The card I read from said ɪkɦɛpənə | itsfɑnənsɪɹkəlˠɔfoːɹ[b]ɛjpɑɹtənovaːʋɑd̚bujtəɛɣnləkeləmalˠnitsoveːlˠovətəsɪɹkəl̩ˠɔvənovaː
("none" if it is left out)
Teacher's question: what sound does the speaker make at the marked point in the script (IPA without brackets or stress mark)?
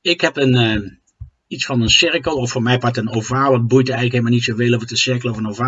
m